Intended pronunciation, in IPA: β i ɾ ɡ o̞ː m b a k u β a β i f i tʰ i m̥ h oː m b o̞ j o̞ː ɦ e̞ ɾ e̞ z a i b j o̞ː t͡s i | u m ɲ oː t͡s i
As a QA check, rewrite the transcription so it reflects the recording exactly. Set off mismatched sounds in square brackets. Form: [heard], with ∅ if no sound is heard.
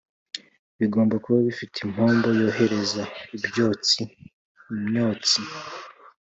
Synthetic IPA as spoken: β i [∅] ɡ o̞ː m b a k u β a β i f i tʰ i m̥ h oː m b o̞ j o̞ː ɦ e̞ ɾ e̞ z a i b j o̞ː t͡s i | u m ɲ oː t͡s i

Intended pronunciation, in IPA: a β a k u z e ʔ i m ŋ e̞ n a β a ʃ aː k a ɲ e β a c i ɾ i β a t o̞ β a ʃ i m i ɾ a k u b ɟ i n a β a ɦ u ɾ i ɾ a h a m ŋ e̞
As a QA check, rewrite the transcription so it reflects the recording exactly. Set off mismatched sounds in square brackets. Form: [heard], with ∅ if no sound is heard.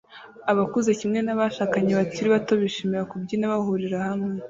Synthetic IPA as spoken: a β a k u z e [c] i m ŋ e̞ n a β a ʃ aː k a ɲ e β a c i ɾ i β a t o̞ β [i] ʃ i m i ɾ a k u b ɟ i n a β a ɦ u ɾ i ɾ a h a m ŋ e̞

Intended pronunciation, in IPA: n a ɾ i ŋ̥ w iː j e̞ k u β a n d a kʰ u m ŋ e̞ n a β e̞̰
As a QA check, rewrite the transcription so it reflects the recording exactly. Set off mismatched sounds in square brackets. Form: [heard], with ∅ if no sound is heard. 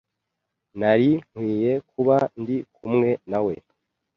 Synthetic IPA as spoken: n a ɾ i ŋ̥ w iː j e̞ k u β a n d [i] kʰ u m ŋ e̞ n a [w] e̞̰

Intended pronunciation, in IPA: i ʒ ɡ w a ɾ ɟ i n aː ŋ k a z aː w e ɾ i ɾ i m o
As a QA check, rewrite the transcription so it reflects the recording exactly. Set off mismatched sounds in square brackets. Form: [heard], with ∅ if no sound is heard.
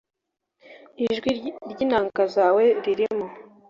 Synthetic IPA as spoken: i ʒ ɡ w [i] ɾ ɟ i n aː ŋ k a z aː w e ɾ i ɾ i m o

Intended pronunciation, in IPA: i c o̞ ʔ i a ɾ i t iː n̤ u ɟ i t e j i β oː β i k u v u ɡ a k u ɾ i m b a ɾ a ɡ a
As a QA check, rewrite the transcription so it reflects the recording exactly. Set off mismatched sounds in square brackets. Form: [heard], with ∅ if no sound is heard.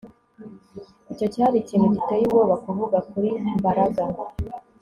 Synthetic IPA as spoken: i c o̞ [c] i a ɾ i [c] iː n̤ u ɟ i t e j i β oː β [a] k u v u ɡ a k u ɾ i m b a ɾ a ɡ a

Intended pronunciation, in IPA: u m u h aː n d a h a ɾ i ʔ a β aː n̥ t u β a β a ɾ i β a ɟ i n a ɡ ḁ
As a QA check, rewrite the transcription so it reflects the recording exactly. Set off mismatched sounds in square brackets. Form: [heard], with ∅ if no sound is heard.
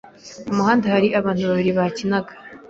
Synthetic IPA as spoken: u m u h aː n d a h a ɾ i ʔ a β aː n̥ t u β a β [i] ɾ i β a [c] i n a ɡ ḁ

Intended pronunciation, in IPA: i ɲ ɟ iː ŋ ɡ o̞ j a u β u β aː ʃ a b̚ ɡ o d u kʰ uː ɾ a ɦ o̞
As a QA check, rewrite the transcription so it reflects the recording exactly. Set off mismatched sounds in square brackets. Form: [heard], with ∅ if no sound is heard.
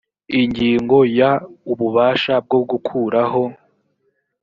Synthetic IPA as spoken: i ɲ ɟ iː ŋ ɡ o̞ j a u β u β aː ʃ a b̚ ɡ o [ɡ] u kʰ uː ɾ a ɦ o̞

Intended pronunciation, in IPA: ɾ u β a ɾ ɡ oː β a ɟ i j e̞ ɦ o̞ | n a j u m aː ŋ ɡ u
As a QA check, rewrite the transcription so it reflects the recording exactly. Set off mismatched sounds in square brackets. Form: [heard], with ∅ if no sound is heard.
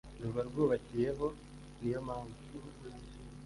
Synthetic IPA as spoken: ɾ u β a ɾ ɡ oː β a [c] i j e̞ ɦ o̞ | n [i] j [o] m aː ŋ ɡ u

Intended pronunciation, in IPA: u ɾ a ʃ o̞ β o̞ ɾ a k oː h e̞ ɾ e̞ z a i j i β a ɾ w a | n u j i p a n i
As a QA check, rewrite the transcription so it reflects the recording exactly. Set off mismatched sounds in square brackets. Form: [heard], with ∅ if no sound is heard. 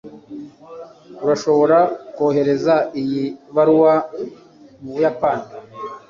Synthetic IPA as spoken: u ɾ a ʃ o̞ β o̞ ɾ a k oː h e̞ ɾ e̞ z a i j i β a ɾ w a | [m] u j [a] p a n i

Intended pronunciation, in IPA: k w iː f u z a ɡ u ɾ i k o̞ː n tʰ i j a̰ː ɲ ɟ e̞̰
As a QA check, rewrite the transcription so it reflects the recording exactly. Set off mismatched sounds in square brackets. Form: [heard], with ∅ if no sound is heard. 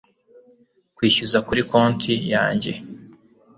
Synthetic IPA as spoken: k w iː [ʃ] u z a [k] u ɾ i k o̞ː n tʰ i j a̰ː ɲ ɟ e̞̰

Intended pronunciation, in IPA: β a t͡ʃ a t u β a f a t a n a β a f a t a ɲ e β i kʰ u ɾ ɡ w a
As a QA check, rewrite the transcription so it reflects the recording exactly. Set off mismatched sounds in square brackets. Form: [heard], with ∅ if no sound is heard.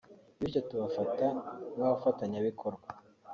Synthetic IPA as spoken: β [i] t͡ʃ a t u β a f a t a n a β a f a t a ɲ [a] β i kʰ [o] ɾ ɡ w a

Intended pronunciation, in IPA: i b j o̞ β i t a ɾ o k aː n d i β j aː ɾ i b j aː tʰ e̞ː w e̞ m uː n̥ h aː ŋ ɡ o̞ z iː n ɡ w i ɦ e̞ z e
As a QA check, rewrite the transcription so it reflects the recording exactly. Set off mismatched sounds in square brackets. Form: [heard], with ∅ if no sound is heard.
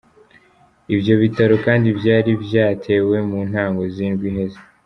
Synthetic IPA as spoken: i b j o̞ β i t a ɾ o k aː n d i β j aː ɾ i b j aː tʰ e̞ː w e̞ m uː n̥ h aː ŋ ɡ o̞ z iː n ɡ w i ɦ e̞ z e

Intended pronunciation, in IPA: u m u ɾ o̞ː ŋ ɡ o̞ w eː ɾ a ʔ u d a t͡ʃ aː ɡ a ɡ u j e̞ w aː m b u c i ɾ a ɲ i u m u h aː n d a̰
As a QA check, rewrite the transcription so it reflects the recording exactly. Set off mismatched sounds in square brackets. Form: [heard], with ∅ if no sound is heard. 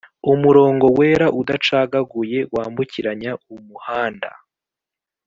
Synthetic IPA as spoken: u m u ɾ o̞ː ŋ ɡ o̞ w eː ɾ a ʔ u d a t͡ʃ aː ɡ a ɡ u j e̞ w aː m b u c i ɾ a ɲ [a] u m u h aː n d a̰

